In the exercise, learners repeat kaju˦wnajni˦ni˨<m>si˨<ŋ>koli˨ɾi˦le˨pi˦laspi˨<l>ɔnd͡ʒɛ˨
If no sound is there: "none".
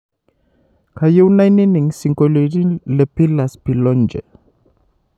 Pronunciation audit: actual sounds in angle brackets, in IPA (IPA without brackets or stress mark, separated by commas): ŋ, ŋ, l